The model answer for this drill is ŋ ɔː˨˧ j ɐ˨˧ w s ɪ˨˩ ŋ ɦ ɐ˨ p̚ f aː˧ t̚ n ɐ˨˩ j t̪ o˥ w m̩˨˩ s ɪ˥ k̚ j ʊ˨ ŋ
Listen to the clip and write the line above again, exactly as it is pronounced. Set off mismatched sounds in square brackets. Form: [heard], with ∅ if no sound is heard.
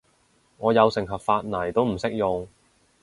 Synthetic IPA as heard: ŋ ɔː˨˧ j ɐ˨˧ w s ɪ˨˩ ŋ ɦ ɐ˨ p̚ f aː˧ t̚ n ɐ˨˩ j t̪ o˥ w m̩˨˩ s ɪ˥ k̚ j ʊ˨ ŋ

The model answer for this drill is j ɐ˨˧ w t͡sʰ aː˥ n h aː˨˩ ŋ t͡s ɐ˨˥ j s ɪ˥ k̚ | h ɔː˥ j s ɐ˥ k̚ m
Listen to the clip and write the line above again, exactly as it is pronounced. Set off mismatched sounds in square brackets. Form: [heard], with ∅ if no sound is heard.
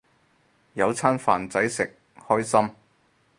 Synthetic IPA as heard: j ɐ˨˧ w t͡sʰ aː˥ n [f] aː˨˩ [n] t͡s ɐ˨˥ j s [ɪ˨] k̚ | h ɔː˥ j s ɐ˥ [∅] m

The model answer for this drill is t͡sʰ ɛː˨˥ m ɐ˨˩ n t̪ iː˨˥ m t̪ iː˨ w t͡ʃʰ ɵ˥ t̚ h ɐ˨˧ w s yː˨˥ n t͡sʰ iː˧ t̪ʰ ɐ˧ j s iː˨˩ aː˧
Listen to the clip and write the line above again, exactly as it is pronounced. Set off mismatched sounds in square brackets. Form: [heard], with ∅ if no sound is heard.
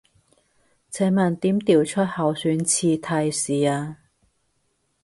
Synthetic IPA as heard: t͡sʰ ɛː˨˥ m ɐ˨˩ n t̪ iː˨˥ m t̪ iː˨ w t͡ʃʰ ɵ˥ t̚ h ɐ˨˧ w s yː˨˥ n t͡sʰ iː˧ t̪ʰ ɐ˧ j s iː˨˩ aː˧

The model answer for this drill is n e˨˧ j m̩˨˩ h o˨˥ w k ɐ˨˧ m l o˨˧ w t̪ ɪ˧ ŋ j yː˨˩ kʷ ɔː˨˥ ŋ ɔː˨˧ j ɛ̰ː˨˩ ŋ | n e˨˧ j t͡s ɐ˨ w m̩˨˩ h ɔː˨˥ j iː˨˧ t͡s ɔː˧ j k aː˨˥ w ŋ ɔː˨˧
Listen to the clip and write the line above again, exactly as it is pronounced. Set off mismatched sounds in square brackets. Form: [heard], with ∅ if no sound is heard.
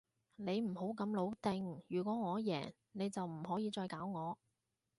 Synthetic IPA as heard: n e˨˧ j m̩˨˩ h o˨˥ w k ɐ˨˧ m l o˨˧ w t̪ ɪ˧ ŋ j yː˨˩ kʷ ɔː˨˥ ŋ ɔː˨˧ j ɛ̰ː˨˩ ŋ | n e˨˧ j t͡s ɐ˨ w m̩˨˩ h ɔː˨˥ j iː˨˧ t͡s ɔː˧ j k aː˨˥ w ŋ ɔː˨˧

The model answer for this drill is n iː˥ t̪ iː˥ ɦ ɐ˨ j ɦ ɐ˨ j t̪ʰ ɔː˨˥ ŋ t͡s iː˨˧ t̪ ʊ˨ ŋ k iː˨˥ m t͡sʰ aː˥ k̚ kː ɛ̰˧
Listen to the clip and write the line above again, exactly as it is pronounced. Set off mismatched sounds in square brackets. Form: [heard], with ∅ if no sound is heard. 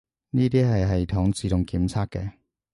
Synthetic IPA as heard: n iː˥ t̪ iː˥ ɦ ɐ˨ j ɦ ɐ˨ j t̪ʰ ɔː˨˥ ŋ t͡s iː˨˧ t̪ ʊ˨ ŋ k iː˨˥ m t͡sʰ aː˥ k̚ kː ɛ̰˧

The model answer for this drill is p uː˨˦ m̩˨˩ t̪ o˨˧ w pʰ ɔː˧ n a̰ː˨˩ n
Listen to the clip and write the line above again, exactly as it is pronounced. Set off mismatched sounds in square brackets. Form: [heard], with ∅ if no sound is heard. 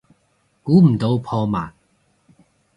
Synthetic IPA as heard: [k] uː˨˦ m̩˨˩ t̪ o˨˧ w pʰ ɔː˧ [m] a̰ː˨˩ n

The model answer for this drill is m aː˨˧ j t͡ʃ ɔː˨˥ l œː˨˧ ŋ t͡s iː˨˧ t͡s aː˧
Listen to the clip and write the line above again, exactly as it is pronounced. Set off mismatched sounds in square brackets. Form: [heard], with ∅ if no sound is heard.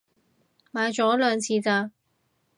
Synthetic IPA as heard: m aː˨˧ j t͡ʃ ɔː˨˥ l œː˨˧ ŋ [t͡sʰ] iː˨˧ t͡s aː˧

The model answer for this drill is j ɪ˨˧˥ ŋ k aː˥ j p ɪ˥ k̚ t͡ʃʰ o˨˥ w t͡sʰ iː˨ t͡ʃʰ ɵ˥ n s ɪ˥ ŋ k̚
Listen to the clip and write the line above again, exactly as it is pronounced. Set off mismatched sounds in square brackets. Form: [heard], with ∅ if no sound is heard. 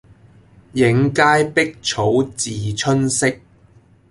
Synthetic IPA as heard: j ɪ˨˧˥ ŋ k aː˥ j p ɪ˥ k̚ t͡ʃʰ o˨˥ w [t͡s] iː˨ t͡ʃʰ ɵ˥ n s ɪ˥ [∅] k̚

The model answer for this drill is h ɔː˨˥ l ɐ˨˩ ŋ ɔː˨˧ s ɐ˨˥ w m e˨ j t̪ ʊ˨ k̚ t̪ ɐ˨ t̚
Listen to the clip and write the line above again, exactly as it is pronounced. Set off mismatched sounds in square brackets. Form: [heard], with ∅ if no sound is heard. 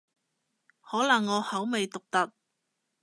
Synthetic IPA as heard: h ɔː˨˥ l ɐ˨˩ [ŋː] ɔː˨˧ [h] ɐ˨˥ w m e˨ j t̪ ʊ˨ k̚ t̪ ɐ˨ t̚

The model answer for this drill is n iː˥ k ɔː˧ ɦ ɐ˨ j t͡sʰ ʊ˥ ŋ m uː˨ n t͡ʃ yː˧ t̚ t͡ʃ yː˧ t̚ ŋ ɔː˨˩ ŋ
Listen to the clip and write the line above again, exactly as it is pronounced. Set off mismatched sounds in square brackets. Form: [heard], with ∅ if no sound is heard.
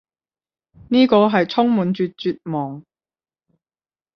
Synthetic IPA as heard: n iː˥ k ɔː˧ ɦ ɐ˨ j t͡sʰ ʊ˥ ŋ m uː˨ n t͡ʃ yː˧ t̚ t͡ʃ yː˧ t̚ [m] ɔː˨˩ ŋ

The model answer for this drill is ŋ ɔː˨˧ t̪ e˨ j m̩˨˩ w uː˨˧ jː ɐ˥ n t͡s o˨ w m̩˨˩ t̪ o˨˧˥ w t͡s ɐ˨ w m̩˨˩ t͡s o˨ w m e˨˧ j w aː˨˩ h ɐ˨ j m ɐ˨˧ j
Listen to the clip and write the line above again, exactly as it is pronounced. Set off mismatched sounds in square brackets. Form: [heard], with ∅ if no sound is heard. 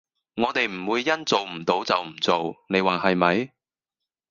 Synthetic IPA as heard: ŋ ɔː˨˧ t̪ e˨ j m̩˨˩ w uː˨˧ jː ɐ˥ n t͡s o˨ w m̩˨˩ t̪ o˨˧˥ w t͡s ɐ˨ w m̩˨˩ t͡s o˨ w [n] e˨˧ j w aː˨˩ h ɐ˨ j m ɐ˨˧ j

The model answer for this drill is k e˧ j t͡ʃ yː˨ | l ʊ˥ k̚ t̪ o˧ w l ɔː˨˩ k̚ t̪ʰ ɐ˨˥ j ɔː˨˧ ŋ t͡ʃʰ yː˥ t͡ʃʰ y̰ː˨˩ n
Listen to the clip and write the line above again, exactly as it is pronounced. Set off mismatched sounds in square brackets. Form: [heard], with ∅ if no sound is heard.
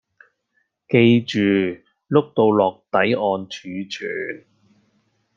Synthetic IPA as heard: k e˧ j t͡ʃ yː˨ | l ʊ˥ k̚ t̪ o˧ w l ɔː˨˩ k̚ [t̪] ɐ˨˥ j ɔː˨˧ [n] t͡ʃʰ [yː˨˧] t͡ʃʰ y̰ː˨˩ n

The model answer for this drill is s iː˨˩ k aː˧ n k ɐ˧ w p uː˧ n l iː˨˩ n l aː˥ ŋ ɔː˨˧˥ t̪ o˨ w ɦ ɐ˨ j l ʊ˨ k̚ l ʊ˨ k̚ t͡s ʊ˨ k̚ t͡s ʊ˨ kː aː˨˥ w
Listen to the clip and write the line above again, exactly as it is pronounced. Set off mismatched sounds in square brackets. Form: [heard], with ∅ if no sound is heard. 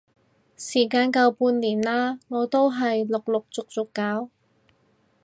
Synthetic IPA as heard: s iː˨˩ k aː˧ n k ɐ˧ w p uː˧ n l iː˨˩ n l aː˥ ŋ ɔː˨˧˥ t̪ [o˥] w ɦ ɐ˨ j l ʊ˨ k̚ l ʊ˨ k̚ t͡s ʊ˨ k̚ t͡s ʊ˨ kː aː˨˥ w

